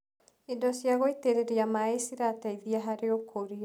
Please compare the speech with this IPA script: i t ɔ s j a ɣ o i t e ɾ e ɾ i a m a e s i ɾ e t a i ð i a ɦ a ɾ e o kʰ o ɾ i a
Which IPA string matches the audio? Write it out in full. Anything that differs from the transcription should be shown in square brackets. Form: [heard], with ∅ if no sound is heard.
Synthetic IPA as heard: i [d] ɔ s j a ɣ o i t e ɾ e ɾ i a m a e s i ɾ [a] t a i ð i a ɦ a ɾ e o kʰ o ɾ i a